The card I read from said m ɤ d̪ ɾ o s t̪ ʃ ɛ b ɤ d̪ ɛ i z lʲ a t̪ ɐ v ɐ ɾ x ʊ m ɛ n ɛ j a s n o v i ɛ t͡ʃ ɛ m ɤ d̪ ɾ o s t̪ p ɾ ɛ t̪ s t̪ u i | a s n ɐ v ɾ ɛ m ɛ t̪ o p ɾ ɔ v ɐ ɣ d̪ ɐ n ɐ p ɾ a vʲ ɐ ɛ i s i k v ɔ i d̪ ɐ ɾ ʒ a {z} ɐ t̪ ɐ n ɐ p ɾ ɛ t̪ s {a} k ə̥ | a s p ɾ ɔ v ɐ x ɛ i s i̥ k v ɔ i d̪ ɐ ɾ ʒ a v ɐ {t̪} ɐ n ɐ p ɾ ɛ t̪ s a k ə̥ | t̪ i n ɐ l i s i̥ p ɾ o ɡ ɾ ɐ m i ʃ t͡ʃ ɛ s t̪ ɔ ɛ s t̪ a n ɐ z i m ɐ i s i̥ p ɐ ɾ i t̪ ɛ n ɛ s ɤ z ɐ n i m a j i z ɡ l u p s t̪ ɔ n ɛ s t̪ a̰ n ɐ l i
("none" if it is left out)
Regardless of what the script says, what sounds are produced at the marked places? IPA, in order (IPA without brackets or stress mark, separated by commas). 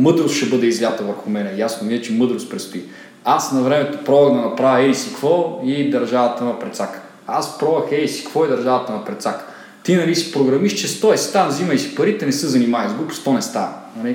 v, a, t̪